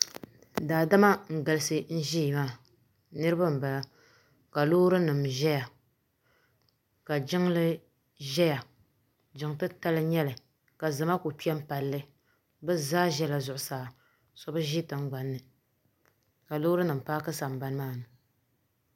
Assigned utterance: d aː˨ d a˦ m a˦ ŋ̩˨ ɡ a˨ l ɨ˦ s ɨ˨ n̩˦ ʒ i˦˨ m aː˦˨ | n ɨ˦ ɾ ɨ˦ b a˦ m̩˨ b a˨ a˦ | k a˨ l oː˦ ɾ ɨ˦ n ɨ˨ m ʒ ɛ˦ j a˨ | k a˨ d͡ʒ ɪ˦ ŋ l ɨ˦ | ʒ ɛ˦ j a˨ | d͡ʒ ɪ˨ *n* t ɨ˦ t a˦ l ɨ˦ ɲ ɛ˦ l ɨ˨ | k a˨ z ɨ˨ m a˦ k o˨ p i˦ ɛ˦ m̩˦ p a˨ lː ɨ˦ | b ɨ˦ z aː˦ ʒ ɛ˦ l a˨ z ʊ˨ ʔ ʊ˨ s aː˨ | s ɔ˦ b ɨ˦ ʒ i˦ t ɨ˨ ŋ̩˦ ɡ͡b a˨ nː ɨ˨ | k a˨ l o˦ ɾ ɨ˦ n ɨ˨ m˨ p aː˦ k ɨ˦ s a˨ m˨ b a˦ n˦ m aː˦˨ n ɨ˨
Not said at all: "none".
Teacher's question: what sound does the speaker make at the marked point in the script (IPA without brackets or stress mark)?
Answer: ŋ